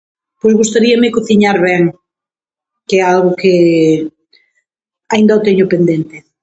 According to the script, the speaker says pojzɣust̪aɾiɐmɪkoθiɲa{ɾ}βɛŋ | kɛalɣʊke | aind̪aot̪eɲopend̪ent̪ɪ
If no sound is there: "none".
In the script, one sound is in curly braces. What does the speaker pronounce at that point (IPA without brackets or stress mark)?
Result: ɾ